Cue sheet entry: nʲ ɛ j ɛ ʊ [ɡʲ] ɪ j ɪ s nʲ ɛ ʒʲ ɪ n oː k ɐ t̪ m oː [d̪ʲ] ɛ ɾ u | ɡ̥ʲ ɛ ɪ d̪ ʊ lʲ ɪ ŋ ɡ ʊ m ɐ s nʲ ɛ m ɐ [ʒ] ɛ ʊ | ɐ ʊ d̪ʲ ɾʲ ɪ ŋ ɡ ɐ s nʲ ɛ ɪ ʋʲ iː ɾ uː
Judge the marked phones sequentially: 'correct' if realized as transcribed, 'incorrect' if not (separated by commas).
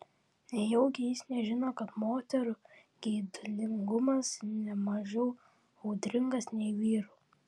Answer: correct, incorrect, correct